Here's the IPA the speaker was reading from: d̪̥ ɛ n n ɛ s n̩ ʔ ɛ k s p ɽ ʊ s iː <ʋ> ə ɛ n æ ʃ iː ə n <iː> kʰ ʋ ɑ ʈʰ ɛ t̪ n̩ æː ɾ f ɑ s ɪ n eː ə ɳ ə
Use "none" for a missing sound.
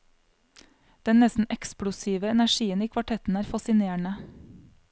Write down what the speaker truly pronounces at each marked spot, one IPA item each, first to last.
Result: ʋ, iː

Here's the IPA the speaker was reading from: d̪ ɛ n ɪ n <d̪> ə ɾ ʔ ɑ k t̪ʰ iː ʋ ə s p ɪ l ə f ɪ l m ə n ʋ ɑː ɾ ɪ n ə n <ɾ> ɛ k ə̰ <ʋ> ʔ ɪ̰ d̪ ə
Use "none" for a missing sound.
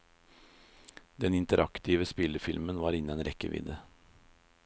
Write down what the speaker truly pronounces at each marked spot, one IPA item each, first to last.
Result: t̪, ɾ, ʋ

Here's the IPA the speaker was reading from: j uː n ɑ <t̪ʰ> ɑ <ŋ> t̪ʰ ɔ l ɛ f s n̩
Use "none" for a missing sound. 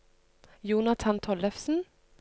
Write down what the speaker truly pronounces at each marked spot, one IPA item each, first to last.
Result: t̪ʰ, n

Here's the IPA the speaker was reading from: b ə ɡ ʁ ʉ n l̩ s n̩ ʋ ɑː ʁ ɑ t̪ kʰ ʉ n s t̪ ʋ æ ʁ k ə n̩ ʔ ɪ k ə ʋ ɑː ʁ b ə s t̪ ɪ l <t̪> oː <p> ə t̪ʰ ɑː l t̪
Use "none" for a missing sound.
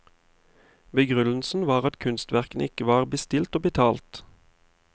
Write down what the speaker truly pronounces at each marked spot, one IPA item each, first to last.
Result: t̪, b

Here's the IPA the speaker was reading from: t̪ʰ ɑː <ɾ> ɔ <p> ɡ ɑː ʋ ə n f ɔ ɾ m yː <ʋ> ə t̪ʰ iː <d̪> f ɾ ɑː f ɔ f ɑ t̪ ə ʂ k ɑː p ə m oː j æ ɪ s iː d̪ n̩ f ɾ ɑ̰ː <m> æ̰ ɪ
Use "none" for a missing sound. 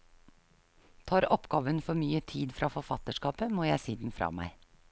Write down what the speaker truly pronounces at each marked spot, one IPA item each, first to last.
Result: ɾ, p, none, d̪, m

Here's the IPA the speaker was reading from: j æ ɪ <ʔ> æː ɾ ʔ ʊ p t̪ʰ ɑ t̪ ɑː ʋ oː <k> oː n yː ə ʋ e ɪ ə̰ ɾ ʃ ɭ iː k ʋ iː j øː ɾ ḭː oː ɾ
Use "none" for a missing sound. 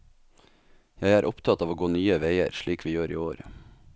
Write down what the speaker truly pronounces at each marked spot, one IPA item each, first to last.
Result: none, ɡ

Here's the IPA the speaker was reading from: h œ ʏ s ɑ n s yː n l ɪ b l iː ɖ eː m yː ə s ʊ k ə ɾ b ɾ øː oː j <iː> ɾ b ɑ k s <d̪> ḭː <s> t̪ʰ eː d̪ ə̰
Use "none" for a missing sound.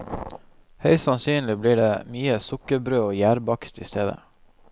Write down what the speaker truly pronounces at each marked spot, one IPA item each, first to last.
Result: æː, t̪, s

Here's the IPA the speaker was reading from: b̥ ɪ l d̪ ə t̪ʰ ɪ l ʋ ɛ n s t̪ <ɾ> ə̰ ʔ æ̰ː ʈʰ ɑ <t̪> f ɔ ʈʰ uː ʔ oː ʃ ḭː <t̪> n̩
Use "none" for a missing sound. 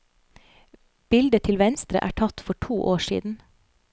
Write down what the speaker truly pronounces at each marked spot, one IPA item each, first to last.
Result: ɾ, t̪, d̪

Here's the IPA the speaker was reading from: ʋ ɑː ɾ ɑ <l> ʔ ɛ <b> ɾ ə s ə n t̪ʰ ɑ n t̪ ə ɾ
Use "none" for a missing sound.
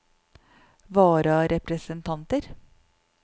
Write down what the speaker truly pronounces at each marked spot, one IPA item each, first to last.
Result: ɾ, p

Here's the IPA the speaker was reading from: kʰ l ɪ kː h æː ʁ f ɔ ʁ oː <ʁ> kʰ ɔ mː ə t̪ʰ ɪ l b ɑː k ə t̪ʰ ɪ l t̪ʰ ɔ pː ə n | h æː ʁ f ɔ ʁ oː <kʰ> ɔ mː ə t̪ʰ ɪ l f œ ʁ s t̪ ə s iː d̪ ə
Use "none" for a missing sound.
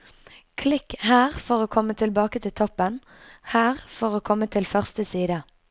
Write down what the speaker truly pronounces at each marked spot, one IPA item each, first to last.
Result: none, kʰ

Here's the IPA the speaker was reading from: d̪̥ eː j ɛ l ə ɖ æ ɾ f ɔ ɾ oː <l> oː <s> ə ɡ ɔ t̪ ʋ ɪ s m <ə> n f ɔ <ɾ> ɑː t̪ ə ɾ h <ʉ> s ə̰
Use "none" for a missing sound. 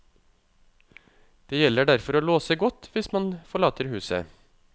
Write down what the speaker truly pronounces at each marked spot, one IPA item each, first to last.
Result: l, s, ɑ, ɭ, ʉː

